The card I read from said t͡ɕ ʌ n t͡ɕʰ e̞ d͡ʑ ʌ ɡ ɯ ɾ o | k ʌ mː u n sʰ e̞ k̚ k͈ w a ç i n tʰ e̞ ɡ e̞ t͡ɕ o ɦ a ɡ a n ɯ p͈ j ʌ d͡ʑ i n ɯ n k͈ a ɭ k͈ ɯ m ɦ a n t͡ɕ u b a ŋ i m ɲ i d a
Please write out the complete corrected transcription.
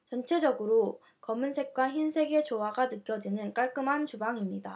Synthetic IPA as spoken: t͡ɕ ʌ n t͡ɕʰ e̞ d͡ʑ ʌ ɡ ɯ ɾ o | k ʌ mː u n sʰ e̞ k̚ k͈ w a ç i n sʰ e̞ ɡ e̞ t͡ɕ o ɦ a ɡ a n ɯ k͈ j ʌ d͡ʑ i n ɯ n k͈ a ɭ k͈ ɯ m ɦ a n t͡ɕ u b a ŋ i m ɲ i d a